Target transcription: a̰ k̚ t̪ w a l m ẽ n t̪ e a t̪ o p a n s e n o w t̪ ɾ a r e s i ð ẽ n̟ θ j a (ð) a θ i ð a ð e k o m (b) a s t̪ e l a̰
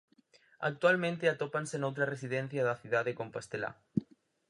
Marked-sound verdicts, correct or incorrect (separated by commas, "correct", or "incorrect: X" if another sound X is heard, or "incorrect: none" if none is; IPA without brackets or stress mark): correct, incorrect: p